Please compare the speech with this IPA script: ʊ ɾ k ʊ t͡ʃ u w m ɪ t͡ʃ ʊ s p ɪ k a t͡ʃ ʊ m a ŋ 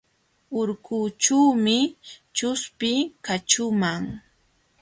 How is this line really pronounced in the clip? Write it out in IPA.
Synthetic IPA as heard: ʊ ɾ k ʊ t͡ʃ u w m ɪ t͡ʃ ʊ s p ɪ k a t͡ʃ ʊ m a ŋ